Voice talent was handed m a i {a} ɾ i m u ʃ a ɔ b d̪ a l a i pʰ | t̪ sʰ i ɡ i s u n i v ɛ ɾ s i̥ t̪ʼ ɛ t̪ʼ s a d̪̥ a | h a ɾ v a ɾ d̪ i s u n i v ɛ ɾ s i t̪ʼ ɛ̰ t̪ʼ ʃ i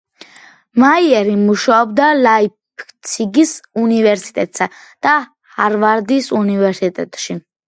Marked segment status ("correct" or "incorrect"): incorrect